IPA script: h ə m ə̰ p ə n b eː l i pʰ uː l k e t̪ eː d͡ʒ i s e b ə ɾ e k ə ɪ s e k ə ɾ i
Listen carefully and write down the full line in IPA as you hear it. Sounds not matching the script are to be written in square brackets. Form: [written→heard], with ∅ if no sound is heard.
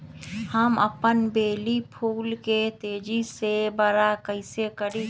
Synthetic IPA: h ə m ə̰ p ə n b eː l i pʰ uː l k e t̪ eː d͡ʒ i s e b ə ɾ [e→a] k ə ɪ s e k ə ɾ i